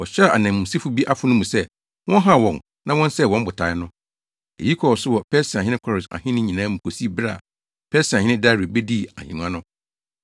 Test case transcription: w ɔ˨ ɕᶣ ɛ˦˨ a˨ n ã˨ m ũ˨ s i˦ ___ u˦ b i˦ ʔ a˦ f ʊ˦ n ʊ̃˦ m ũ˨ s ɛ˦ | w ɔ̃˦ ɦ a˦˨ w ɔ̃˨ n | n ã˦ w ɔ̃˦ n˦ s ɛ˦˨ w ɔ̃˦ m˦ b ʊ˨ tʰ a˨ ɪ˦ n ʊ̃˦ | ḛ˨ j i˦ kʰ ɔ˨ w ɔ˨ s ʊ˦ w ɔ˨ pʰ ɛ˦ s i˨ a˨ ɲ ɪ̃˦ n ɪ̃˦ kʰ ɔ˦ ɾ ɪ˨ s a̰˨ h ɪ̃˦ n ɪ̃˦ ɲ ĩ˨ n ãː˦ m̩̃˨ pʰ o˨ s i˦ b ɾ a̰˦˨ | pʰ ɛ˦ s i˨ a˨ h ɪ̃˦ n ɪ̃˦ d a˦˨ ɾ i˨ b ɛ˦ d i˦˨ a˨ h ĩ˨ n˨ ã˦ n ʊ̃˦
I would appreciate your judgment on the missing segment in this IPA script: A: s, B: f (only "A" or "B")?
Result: B